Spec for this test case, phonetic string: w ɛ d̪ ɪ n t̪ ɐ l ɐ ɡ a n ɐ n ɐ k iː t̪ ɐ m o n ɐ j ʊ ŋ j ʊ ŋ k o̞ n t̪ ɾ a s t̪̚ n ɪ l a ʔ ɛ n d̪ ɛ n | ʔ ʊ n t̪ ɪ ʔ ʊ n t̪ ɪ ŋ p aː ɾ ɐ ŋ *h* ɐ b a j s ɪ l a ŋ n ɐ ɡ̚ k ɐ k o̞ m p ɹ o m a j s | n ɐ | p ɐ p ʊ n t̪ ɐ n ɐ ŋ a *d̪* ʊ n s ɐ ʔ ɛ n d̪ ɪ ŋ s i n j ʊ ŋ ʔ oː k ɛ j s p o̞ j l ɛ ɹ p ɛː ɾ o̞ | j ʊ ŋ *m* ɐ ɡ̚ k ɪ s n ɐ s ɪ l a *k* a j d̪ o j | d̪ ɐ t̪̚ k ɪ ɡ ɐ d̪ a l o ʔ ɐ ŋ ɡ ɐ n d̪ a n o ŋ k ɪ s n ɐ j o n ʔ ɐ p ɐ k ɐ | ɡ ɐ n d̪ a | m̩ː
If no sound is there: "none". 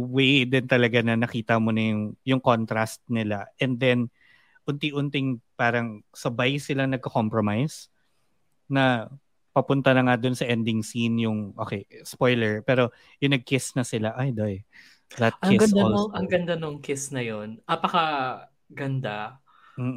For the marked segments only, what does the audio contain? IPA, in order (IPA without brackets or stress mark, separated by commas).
s, d̪, n, ʔ